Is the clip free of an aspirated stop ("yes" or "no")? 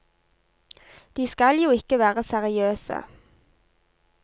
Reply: yes